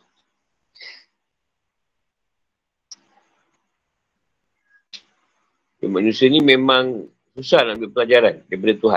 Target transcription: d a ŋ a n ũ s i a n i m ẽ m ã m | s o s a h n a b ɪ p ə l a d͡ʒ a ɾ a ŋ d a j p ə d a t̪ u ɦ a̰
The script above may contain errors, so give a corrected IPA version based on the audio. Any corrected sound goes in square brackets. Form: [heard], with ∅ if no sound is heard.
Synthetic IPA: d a [m] a n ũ s i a n i m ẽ m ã [ŋ] | s [u] s a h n a b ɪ p ə l a d͡ʒ a ɾ a [n] d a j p [a] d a t̪ u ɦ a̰